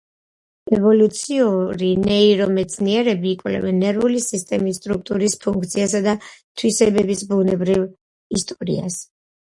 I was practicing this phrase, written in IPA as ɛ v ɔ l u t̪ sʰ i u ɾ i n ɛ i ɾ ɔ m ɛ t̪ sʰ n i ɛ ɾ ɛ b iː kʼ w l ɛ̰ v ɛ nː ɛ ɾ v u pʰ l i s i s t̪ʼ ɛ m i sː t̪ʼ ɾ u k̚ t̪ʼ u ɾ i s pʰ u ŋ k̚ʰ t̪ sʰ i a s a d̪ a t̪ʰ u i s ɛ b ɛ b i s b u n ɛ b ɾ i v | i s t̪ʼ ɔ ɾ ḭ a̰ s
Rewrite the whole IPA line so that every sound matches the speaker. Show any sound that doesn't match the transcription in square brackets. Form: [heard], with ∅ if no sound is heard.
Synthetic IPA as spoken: ɛ v ɔ l u t̪ sʰ i u ɾ i n ɛ i ɾ ɔ m ɛ t̪ sʰ n i ɛ ɾ ɛ b iː kʼ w l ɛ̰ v ɛ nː ɛ ɾ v u [∅] l i s i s t̪ʼ ɛ m i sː t̪ʼ ɾ u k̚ t̪ʼ u ɾ i s pʰ u ŋ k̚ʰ t̪ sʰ i a s a d̪ a t̪ʰ [w] i s ɛ b ɛ b i s b u n ɛ b ɾ i v | i s t̪ʼ ɔ ɾ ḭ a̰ s

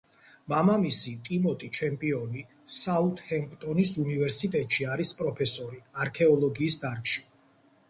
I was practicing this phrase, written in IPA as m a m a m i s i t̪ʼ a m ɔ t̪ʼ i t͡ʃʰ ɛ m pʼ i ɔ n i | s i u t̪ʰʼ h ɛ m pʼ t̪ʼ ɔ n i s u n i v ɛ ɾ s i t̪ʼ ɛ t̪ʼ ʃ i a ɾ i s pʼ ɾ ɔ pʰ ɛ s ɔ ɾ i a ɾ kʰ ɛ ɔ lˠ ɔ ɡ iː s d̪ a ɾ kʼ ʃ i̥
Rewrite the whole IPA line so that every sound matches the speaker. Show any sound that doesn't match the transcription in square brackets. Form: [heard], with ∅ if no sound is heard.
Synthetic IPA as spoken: m a m a m i s i t̪ʼ [i] m ɔ t̪ʼ i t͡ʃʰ ɛ m pʼ i ɔ n i | s [a] u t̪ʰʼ h ɛ m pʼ t̪ʼ ɔ n i s u n i v ɛ ɾ s i t̪ʼ ɛ t̪ʼ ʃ i a ɾ i s pʼ ɾ ɔ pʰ ɛ s ɔ ɾ i a ɾ kʰ ɛ ɔ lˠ ɔ ɡ iː s d̪ a ɾ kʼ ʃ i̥

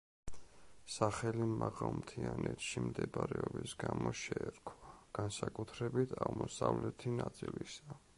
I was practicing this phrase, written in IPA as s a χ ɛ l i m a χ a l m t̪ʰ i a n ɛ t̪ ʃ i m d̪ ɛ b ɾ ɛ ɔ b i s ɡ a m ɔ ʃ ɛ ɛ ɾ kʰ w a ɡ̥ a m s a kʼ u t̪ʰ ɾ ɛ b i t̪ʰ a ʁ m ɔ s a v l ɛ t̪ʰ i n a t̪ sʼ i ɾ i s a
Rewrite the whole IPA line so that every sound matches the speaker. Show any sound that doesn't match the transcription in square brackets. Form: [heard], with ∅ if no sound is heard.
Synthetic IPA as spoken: s a χ ɛ l i m a [ʁ] a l m t̪ʰ i a n ɛ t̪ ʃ i m d̪ ɛ b ɾ ɛ ɔ b i s ɡ a m ɔ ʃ ɛ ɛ ɾ kʰ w a ɡ̥ a [n] s a kʼ u t̪ʰ ɾ ɛ b i t̪ʰ a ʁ m ɔ s a v l ɛ t̪ʰ i n a t̪ sʼ i [l] i s a

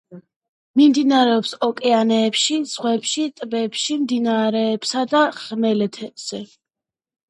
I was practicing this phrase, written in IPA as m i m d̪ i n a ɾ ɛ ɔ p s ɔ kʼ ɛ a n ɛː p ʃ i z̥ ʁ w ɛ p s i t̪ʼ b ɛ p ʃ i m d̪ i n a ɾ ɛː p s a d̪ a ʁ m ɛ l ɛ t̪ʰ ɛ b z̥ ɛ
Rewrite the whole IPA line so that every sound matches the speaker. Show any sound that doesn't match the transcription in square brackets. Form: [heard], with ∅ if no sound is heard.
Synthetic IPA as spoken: m i m d̪ i n a ɾ ɛ ɔ p s ɔ kʼ ɛ a n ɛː p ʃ i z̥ ʁ w ɛ p [ʃ] i t̪ʼ b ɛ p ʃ i m d̪ i n a ɾ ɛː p s a d̪ a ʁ m ɛ l ɛ t̪ʰ ɛ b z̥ ɛ

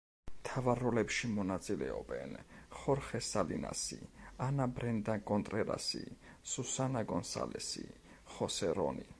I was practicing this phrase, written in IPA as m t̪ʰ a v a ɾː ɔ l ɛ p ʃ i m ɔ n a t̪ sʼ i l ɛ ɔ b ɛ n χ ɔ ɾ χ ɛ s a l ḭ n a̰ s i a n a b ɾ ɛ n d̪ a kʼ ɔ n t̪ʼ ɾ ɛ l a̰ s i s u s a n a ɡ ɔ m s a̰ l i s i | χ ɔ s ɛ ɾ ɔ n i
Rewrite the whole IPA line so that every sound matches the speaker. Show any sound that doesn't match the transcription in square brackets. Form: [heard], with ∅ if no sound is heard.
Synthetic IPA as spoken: m t̪ʰ a v a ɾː ɔ l ɛ p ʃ i m ɔ n a t̪ sʼ i l ɛ ɔ b ɛ n χ ɔ ɾ χ ɛ s a l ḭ n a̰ s i a n a b ɾ ɛ n d̪ a kʼ ɔ n t̪ʼ ɾ ɛ [ɾ] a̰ s i s u s a n a ɡ ɔ [n] s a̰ l [ɛ] s i | χ ɔ s ɛ ɾ ɔ n i

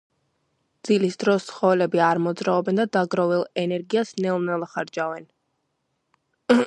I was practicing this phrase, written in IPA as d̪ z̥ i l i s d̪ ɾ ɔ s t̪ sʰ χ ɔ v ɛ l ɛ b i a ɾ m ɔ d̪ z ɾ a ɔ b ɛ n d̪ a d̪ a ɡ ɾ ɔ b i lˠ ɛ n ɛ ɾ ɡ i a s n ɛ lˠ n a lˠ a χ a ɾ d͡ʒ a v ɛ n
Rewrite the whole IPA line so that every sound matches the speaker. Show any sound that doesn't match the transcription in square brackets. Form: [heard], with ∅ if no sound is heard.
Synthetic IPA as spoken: d̪ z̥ i l i s d̪ ɾ ɔ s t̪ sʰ χ ɔ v ɛ l ɛ b i a ɾ m ɔ d̪ z ɾ a ɔ b ɛ n d̪ a d̪ a ɡ ɾ ɔ [v] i lˠ ɛ n ɛ ɾ ɡ i a s n ɛ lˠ n [ɛ] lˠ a χ a ɾ d͡ʒ a v ɛ n

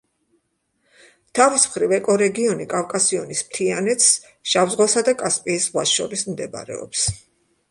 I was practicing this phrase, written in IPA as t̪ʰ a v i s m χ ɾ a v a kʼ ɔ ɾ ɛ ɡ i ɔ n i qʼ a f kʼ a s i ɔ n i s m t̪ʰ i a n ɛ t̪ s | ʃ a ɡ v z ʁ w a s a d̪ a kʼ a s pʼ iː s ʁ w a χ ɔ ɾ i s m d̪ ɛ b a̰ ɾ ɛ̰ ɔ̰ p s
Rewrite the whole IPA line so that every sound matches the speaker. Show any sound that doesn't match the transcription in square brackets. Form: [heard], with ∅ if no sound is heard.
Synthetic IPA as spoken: t̪ʰ a v i s m χ ɾ [i] v [ɛ] kʼ ɔ ɾ ɛ ɡ i ɔ n i [kʼ] a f kʼ a s i ɔ n i s m t̪ʰ i a n ɛ t̪ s | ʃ a [∅] v z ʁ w a s a d̪ a kʼ a s pʼ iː s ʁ w a [ʃ] ɔ ɾ i s m d̪ ɛ b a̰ ɾ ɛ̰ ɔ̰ p s

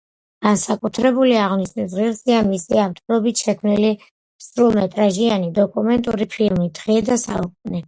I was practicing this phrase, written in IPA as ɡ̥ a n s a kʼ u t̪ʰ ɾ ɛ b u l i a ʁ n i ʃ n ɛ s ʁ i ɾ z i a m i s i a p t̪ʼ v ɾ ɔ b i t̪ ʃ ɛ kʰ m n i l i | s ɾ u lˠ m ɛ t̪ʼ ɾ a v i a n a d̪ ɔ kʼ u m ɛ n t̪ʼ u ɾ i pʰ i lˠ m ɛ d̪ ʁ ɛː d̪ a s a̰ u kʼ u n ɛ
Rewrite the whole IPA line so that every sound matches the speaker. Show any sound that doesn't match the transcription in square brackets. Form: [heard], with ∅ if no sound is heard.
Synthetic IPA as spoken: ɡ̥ a n s a kʼ u t̪ʰ ɾ ɛ b u l i a ʁ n i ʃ n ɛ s ʁ i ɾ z i a m i s i a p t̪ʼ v ɾ ɔ b i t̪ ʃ ɛ kʰ m n i l i | s ɾ u lˠ m ɛ t̪ʼ ɾ a [ʒ] i a n [i] d̪ ɔ kʼ u m ɛ n t̪ʼ u ɾ i pʰ i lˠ m [i] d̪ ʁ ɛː d̪ a s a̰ u kʼ u n ɛ

